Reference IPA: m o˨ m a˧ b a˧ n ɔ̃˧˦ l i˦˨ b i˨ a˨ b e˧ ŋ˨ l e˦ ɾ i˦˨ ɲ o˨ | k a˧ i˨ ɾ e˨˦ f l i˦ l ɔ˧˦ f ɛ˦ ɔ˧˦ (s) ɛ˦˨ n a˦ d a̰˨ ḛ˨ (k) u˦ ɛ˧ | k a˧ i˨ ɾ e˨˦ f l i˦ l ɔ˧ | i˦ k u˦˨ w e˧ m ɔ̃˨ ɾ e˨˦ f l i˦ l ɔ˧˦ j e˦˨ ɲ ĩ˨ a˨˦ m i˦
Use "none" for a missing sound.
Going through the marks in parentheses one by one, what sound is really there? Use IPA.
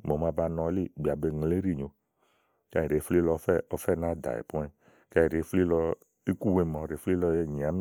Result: f, p

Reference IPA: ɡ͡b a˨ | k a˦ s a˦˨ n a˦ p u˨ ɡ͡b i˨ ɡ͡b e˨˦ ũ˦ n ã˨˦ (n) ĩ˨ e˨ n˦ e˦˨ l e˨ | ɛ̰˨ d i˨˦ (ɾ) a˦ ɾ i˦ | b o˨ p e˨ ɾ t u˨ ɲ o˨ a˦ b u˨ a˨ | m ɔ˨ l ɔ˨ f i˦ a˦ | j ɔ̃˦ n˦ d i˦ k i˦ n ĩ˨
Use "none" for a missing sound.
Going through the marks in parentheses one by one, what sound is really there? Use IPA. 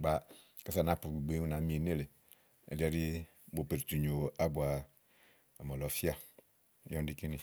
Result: m, none

